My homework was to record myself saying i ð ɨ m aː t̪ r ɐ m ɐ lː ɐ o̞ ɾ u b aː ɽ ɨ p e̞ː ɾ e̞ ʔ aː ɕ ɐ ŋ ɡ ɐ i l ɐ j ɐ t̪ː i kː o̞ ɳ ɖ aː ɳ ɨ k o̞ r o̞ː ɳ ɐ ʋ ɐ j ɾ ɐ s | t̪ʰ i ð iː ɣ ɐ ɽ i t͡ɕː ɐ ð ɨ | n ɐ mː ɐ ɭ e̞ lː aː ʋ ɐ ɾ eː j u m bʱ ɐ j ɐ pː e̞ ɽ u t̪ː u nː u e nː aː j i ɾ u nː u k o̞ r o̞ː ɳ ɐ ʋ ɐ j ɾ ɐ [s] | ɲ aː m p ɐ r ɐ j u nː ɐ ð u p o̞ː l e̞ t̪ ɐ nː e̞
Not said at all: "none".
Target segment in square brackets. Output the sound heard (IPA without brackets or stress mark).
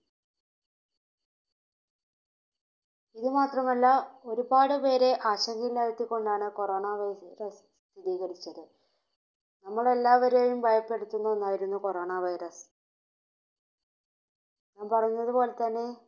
s